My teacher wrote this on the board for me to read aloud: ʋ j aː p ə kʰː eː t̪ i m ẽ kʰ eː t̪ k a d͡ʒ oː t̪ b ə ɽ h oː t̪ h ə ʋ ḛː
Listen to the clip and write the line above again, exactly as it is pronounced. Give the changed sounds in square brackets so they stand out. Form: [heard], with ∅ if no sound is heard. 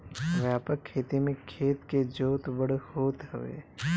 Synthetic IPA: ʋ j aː p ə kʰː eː t̪ i m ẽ kʰ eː t̪ k [e] d͡ʒ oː t̪ b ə ɽ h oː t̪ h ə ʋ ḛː